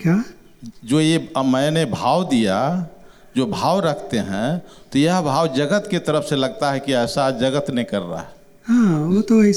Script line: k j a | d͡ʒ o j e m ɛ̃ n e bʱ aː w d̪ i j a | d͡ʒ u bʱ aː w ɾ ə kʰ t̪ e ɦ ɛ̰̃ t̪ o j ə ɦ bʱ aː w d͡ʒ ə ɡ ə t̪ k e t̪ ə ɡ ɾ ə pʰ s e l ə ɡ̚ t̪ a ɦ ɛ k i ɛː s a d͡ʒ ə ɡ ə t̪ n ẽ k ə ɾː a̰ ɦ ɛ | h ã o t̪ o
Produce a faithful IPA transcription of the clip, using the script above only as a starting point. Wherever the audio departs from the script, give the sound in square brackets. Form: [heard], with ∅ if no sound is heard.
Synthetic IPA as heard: k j a | d͡ʒ o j e m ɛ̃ n e bʱ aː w d̪ i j a | d͡ʒ [o] bʱ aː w ɾ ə kʰ t̪ e ɦ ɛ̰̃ t̪ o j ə ɦ bʱ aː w d͡ʒ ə ɡ ə t̪ k e t̪ ə [∅] ɾ ə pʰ s e l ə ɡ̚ t̪ a ɦ ɛ k i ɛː s a d͡ʒ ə ɡ ə t̪ n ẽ k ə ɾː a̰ ɦ ɛ | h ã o t̪ o